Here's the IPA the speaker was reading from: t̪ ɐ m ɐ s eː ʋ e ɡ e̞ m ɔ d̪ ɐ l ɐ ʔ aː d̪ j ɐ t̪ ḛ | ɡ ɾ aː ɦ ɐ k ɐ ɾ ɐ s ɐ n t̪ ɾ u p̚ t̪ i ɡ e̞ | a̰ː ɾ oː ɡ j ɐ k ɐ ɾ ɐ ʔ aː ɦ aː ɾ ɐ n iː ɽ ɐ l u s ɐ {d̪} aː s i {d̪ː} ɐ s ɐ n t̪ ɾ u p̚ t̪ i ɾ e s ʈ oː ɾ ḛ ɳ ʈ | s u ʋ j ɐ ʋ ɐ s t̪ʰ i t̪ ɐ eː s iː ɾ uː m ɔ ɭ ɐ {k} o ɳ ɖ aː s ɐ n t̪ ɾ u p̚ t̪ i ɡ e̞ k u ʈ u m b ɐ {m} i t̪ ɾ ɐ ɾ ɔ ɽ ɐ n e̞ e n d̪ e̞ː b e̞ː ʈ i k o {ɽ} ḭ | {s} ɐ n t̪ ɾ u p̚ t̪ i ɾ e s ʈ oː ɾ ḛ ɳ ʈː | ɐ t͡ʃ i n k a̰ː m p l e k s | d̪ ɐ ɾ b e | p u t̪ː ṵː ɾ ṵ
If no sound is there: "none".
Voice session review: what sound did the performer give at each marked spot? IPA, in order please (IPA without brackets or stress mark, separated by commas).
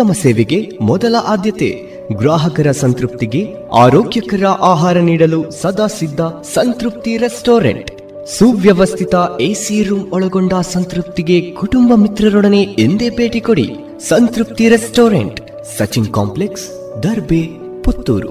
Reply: d̪, d̪ː, ɡ, m, ɽ, s